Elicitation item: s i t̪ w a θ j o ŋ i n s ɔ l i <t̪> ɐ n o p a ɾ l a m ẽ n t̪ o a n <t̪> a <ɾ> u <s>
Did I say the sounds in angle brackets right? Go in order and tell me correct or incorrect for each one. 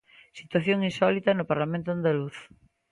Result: correct, incorrect: d̪, incorrect: l, incorrect: θ

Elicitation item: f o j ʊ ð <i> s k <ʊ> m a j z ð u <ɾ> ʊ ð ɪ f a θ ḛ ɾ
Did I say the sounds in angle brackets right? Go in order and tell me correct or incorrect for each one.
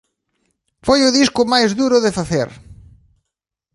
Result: correct, correct, correct

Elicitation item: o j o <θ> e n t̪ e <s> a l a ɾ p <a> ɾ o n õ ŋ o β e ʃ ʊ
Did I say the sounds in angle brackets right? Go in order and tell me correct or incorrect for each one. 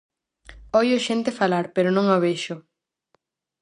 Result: incorrect: ʃ, incorrect: f, incorrect: e

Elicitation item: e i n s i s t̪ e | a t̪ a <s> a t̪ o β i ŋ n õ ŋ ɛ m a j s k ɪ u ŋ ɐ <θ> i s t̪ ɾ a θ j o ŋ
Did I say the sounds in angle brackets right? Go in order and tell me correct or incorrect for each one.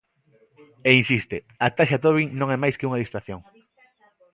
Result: incorrect: ʃ, incorrect: ð

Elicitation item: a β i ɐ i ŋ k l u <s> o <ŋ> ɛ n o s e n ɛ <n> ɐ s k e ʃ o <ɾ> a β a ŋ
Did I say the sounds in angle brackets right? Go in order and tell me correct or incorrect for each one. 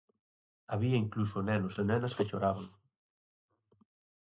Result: correct, incorrect: n, correct, correct

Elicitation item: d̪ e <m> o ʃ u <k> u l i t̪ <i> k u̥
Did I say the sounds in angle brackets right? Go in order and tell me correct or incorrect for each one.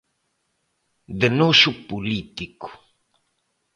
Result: incorrect: n, incorrect: p, correct

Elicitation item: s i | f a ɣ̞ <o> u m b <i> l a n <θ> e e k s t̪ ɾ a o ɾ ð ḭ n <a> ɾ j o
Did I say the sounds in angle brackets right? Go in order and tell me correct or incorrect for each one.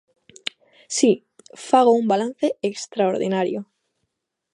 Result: correct, incorrect: a, correct, correct

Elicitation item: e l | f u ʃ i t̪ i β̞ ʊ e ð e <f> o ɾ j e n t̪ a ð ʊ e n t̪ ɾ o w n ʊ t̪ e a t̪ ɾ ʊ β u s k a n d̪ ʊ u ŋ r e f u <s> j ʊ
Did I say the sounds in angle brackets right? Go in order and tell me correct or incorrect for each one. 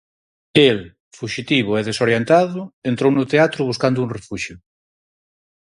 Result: incorrect: s, incorrect: ʃ

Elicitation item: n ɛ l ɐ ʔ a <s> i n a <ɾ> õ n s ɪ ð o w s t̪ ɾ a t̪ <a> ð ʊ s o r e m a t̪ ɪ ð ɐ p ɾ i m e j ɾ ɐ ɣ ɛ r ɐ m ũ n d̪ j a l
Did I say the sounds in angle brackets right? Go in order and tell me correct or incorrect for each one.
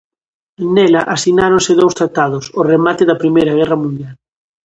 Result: correct, correct, correct

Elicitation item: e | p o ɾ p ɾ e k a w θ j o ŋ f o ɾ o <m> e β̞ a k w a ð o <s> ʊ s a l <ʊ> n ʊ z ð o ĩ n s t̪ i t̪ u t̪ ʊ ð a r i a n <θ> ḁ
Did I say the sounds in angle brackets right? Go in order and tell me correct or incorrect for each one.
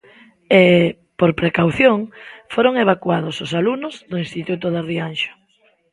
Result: incorrect: ŋ, correct, incorrect: u, incorrect: ʃ

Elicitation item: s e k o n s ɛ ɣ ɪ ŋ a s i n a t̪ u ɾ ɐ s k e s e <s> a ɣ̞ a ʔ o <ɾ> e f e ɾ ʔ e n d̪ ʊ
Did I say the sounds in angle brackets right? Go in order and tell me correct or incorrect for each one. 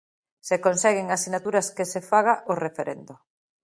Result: incorrect: f, incorrect: r

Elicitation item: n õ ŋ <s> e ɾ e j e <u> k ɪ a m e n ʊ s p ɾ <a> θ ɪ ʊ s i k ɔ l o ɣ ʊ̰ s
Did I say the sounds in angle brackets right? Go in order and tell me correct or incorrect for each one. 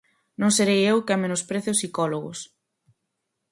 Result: correct, incorrect: w, incorrect: e

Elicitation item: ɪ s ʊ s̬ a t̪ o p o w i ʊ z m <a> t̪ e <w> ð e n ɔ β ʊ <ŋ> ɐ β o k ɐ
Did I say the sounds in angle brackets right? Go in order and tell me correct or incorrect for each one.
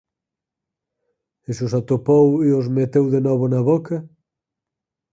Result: incorrect: e, correct, incorrect: n

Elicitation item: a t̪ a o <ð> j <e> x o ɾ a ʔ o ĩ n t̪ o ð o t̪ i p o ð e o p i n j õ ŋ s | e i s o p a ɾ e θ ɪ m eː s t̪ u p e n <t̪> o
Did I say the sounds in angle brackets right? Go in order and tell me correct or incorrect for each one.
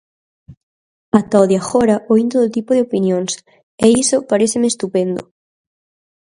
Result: correct, incorrect: a, incorrect: d̪

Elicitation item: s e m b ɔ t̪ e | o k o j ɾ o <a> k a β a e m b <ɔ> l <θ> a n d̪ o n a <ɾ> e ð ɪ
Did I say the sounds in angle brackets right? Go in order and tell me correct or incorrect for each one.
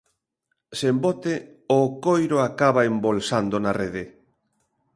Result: correct, incorrect: o, incorrect: s, incorrect: r

